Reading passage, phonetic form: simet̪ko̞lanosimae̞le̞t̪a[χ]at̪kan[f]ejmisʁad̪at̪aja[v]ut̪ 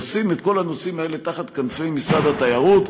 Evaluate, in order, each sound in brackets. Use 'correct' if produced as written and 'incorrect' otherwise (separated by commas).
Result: correct, correct, incorrect